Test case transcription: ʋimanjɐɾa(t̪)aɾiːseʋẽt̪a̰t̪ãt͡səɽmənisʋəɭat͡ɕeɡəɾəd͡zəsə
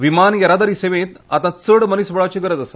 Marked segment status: incorrect: d̪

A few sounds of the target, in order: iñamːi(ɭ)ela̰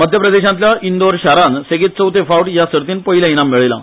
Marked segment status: correct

